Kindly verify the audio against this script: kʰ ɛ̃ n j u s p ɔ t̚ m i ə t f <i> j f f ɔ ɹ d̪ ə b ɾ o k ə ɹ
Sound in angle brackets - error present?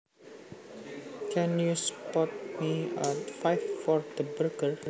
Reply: yes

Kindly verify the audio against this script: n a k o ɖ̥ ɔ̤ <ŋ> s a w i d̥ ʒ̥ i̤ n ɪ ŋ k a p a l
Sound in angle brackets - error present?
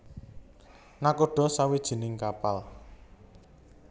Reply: yes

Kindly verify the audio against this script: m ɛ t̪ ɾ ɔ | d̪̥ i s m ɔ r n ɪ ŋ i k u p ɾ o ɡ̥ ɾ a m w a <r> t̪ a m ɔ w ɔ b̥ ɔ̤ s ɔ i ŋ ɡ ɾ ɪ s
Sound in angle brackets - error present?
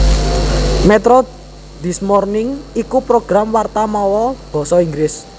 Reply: no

